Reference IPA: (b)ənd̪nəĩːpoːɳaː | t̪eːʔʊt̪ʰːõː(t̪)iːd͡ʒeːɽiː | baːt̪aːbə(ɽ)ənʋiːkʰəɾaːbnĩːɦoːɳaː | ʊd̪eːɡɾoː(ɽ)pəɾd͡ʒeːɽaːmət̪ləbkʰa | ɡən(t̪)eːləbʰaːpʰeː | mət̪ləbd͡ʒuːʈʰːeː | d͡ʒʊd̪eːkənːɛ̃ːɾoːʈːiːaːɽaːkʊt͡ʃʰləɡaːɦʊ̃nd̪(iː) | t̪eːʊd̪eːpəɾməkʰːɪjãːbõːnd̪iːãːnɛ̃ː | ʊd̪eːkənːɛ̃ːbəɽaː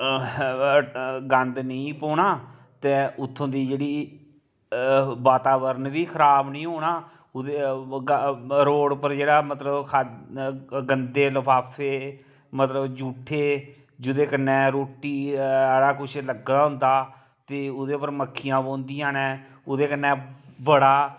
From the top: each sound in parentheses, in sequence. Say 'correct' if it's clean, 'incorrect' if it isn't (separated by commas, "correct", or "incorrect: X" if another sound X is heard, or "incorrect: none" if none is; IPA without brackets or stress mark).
incorrect: ɡ, incorrect: d̪, incorrect: ɾ, correct, incorrect: d̪, incorrect: aː